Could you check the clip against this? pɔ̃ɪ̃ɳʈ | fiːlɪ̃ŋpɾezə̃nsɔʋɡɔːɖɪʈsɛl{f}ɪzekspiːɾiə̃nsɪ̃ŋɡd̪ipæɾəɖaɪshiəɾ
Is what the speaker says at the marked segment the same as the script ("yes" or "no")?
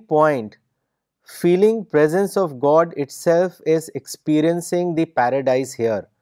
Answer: yes